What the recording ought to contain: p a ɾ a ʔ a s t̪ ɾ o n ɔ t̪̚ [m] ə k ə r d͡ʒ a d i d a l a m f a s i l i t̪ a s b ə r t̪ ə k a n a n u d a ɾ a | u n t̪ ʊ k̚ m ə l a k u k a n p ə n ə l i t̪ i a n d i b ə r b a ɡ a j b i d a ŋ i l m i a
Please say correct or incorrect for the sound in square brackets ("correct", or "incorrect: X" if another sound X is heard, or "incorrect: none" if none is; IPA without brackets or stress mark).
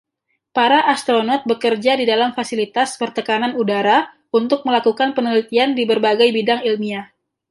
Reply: incorrect: b